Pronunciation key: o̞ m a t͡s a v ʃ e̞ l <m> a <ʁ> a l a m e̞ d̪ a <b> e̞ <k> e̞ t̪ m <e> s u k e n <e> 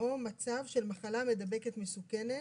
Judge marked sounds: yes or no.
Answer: yes, no, yes, yes, yes, yes

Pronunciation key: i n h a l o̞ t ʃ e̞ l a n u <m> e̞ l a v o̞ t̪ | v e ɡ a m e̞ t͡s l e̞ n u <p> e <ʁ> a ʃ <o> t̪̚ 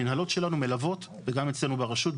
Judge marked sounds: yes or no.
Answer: yes, no, yes, no

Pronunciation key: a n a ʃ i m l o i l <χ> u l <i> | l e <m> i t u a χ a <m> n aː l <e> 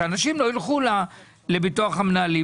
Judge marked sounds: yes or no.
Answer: yes, no, no, yes, no

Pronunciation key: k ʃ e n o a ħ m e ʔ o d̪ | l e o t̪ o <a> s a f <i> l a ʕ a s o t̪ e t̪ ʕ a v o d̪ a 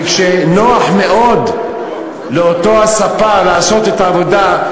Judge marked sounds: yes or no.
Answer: yes, no

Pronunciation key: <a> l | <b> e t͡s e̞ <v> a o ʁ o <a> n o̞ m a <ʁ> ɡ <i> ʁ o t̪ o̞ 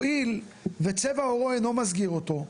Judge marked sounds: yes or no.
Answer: no, no, yes, no, no, yes

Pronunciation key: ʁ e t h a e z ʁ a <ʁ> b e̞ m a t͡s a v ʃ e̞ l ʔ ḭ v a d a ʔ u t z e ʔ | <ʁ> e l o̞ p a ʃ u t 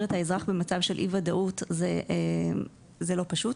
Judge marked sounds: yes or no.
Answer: no, no

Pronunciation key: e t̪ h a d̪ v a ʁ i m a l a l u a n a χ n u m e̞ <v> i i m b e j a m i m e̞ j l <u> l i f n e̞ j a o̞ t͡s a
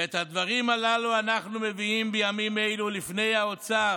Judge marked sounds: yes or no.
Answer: yes, yes

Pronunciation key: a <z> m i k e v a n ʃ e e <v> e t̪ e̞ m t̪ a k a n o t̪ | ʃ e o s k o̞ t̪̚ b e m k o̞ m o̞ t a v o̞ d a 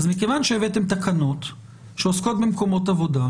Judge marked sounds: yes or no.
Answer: yes, yes

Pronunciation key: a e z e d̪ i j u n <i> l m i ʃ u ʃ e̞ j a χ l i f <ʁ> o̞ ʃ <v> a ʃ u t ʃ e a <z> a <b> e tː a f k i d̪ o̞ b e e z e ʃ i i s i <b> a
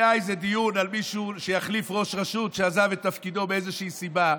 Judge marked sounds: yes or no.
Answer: no, yes, no, yes, no, yes

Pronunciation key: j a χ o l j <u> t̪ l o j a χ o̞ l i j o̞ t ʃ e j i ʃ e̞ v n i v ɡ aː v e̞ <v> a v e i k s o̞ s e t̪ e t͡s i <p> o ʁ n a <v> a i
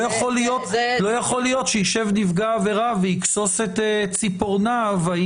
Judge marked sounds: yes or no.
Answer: no, no, yes, yes

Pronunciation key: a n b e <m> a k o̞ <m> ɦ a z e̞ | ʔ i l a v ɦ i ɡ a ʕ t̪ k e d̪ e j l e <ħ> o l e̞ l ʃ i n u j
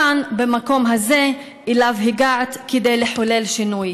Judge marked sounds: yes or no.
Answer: yes, yes, yes

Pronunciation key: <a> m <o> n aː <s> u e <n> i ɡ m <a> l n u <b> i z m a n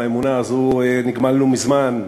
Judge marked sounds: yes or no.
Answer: no, no, no, yes, yes, no

